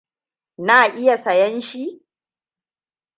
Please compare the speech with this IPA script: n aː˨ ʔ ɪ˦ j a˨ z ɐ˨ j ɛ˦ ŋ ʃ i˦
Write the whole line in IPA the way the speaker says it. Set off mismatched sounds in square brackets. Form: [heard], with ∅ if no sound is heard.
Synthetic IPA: n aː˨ ʔ ɪ˦ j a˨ [s] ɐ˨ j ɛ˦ [n] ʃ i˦